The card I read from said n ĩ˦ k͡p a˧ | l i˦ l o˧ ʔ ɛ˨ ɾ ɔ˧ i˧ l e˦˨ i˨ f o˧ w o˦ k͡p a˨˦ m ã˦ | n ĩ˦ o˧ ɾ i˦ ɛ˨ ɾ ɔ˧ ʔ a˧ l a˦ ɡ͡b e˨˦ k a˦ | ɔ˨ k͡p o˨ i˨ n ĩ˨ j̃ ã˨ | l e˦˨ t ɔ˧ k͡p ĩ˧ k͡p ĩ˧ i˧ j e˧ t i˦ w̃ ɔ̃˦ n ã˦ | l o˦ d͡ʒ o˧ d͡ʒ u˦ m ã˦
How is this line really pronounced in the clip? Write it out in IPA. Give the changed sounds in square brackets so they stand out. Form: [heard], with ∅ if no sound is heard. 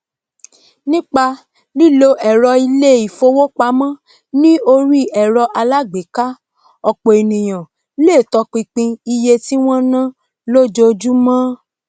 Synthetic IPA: n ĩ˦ k͡p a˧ | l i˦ l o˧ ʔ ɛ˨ ɾ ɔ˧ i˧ l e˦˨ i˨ f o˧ w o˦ k͡p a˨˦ m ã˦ | n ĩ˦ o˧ ɾ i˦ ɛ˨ ɾ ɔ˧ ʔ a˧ l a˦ ɡ͡b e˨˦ k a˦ | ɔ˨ k͡p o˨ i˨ n ĩ˨ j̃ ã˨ | l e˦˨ t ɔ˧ k͡p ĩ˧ k͡p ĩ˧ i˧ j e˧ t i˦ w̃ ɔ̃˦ n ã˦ | l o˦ d͡ʒ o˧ d͡ʒ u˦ m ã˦